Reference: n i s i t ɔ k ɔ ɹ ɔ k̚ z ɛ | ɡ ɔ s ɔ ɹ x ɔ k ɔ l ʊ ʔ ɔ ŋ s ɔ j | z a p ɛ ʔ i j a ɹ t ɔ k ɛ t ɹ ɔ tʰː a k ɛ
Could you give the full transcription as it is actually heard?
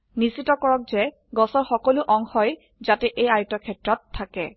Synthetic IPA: n i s i t ɔ k ɔ ɹ ɔ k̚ z ɛ | ɡ ɔ s ɔ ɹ x ɔ k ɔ l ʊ ʔ ɔ ŋ x ɔ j | z a t ɛ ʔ e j a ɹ t ɔ kʰ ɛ t ɹ ɔ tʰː a k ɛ